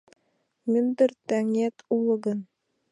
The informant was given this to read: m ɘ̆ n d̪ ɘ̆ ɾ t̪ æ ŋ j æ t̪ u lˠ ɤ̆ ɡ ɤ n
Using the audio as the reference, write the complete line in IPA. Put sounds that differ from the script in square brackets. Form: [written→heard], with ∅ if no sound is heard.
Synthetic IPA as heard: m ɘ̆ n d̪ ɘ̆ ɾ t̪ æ ŋ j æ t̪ u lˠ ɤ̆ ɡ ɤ n